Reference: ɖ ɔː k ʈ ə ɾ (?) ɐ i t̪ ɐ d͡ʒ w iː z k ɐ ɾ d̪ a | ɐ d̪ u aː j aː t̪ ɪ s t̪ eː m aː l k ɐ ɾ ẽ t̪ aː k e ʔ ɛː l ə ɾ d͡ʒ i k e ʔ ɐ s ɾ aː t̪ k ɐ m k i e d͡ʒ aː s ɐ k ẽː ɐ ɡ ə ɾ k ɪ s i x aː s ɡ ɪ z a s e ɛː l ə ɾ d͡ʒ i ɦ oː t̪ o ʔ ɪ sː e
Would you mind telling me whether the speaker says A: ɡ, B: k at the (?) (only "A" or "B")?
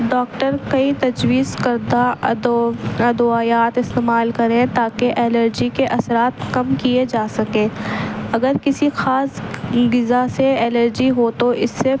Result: B